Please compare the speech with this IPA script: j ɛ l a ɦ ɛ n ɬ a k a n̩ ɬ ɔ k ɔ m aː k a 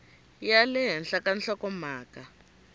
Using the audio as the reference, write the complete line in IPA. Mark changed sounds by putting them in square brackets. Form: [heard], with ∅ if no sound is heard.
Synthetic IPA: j [a] l [ɛ] ɦ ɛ n ɬ a k a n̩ ɬ ɔ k ɔ m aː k a